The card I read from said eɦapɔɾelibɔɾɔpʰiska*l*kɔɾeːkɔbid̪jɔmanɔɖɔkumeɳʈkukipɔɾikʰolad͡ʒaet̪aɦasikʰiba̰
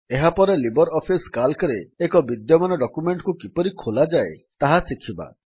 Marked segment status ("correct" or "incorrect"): correct